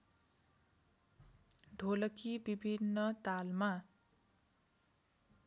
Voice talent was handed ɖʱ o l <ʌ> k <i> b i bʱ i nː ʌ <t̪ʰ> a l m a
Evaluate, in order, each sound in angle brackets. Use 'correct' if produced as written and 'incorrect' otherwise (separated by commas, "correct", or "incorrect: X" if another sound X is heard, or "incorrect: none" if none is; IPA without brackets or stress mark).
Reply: correct, correct, incorrect: t̪